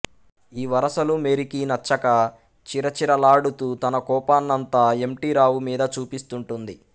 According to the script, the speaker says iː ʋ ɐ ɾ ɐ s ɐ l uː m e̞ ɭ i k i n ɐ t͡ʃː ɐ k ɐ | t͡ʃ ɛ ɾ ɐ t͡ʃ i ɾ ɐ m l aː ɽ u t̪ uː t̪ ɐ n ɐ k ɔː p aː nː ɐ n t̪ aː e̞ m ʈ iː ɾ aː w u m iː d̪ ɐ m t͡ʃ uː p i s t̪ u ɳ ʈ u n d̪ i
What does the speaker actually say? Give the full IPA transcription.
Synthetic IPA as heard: iː ʋ ɐ ɾ ɐ s ɐ l u m e̞ ɾ i k i n ɐ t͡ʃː ɐ k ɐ | t͡ʃ i ɾ ɐ t͡ʃ i ɾ ɐ l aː ɽ u t̪ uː t̪ ɐ n ɐ k ɔː p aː nː ɐ n t̪ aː e̞ m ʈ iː ɾ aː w u m iː d̪ ɐ t͡ʃ uː p i s t̪ u ɳ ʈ u n d̪ i